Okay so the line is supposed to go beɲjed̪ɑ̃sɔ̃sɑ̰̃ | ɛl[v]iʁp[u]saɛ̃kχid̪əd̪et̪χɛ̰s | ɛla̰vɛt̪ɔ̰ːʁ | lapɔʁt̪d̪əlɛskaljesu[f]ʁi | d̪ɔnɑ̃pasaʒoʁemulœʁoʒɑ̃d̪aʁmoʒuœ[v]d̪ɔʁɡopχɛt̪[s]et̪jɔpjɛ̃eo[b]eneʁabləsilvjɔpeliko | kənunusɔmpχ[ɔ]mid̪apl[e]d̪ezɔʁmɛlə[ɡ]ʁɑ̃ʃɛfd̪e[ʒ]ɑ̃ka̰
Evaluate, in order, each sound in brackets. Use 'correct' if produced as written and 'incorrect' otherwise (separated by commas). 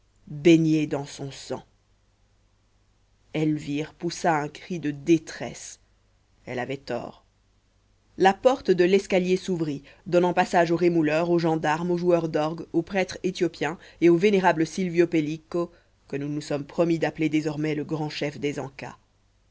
correct, correct, incorrect, incorrect, incorrect, incorrect, correct, correct, correct, incorrect